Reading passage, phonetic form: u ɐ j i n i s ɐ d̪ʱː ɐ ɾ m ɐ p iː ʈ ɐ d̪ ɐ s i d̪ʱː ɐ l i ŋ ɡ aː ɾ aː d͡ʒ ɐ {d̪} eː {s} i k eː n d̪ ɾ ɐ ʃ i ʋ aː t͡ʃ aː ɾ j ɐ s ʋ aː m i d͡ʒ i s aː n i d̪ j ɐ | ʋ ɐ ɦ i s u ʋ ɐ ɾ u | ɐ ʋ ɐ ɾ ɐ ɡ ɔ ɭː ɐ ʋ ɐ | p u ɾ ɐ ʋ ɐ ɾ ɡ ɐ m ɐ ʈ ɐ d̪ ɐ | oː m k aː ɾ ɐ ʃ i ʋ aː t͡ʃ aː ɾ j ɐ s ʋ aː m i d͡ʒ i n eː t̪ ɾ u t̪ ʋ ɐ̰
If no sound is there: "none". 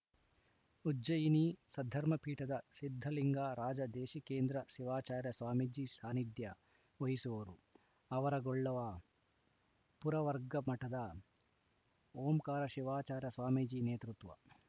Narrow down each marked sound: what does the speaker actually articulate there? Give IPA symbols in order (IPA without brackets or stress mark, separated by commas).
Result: d̪, ʃ